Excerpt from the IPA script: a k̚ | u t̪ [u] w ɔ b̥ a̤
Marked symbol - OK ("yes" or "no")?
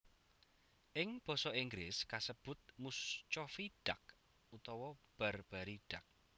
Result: no